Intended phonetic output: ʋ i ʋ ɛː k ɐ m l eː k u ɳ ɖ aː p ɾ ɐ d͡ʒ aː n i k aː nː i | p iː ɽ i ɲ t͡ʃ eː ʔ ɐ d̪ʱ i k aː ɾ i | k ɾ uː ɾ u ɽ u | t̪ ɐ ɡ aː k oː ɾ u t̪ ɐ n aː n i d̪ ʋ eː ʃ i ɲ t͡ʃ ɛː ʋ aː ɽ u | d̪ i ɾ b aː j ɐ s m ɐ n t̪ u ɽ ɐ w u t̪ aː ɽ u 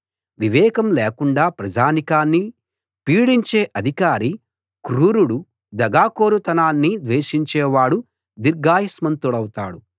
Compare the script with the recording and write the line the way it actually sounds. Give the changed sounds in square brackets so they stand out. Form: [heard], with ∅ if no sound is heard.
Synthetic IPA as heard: ʋ i ʋ ɛː k ɐ m l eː k u ɳ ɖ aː p ɾ ɐ d͡ʒ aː n i k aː nː i | p iː ɽ i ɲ t͡ʃ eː ʔ ɐ d̪ʱ i k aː ɾ i | k ɾ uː ɾ u ɽ u | [d̪] ɐ ɡ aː k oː ɾ u t̪ ɐ n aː [nː] i d̪ ʋ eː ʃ i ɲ t͡ʃ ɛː ʋ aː ɽ u | d̪ i ɾ [ɡ] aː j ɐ s m ɐ n t̪ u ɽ ɐ w u t̪ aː ɽ u